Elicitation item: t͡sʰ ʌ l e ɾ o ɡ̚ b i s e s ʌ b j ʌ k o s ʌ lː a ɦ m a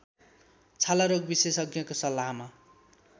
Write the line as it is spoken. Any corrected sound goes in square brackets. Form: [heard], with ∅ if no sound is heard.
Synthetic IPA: t͡sʰ [a] l [a] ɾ o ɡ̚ b i s e s ʌ [ɡ] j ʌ k o s ʌ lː a ɦ m a